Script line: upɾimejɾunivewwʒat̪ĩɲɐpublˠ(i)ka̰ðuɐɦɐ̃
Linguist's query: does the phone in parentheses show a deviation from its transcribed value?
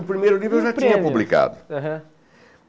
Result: no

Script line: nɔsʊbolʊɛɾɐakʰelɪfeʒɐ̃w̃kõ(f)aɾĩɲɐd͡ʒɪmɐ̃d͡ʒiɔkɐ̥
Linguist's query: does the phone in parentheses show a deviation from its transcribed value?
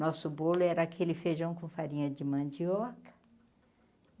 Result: no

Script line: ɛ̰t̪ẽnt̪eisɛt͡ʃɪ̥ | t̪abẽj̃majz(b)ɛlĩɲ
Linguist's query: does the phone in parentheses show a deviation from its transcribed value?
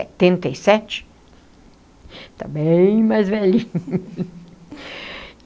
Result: yes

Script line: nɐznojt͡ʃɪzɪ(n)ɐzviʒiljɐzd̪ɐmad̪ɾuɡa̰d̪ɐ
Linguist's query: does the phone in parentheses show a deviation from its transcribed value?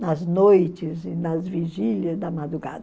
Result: no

